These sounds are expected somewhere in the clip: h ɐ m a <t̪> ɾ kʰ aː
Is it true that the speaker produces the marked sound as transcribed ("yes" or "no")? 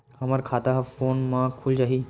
no